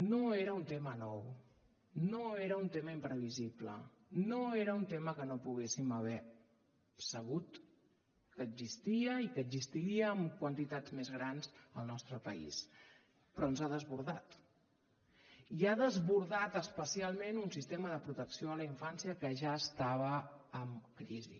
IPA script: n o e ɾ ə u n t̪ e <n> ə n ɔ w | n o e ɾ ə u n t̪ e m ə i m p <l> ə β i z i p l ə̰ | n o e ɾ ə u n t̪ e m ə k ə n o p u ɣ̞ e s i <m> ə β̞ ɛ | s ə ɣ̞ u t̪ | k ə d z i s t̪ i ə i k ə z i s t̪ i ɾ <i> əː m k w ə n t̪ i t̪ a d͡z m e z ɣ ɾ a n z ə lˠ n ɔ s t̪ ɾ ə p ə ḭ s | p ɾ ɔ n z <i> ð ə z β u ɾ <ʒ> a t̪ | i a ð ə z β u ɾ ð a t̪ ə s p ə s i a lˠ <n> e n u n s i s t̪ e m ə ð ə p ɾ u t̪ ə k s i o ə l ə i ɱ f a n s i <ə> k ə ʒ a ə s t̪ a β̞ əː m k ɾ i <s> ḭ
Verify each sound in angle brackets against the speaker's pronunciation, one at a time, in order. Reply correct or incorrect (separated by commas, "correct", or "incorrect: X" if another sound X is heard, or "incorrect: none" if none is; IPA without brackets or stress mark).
incorrect: m, incorrect: ɾ, correct, correct, incorrect: a, incorrect: ð, incorrect: m, correct, incorrect: z